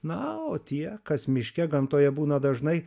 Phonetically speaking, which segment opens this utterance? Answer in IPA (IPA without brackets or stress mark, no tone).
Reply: n